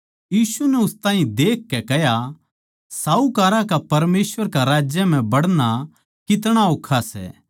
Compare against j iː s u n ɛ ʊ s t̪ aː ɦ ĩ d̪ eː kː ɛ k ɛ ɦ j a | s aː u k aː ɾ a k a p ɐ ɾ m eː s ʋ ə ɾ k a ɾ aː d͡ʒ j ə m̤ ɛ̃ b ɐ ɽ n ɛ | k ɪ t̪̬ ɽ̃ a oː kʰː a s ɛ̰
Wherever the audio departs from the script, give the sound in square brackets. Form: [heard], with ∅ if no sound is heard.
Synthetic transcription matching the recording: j iː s u n ɛ ʊ s t̪ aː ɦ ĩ d̪ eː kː ɛ k ɛ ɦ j a | s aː u k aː ɾ a k a p ɐ ɾ m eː s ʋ ə ɾ k a ɾ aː d͡ʒ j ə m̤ ɛ̃ b ɐ ɽ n [a] | k ɪ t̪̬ ɽ̃ a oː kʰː a s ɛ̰